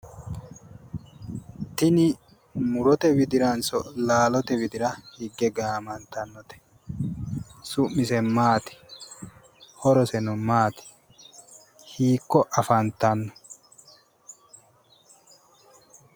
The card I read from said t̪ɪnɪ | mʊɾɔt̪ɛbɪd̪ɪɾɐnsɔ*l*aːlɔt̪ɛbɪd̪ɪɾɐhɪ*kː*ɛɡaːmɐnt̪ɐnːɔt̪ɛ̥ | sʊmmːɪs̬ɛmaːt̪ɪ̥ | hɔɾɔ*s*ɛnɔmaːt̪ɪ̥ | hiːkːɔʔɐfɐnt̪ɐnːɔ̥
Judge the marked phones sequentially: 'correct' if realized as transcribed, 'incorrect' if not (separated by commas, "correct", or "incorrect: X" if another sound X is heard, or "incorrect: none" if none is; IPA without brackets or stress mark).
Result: correct, incorrect: ɡː, correct